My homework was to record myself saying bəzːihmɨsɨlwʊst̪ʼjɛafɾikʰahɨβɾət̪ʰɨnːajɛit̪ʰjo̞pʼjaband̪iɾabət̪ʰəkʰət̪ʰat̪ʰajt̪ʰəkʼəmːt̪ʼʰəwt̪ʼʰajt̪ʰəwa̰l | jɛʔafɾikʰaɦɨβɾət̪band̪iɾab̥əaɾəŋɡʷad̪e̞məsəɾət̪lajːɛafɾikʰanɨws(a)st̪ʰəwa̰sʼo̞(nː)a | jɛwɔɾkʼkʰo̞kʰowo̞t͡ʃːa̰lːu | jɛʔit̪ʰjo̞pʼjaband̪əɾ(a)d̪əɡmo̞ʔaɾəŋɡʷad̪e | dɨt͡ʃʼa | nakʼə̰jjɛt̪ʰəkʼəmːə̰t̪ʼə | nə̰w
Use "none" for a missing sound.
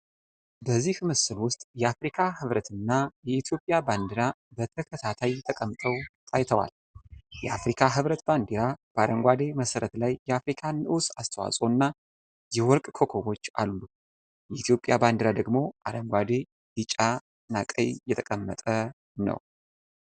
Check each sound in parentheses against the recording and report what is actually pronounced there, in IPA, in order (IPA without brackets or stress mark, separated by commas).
a, nː, a